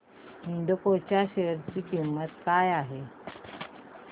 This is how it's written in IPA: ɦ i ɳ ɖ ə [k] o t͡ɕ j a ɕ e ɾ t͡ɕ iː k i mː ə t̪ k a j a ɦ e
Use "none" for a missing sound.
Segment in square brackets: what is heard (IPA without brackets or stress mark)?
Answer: k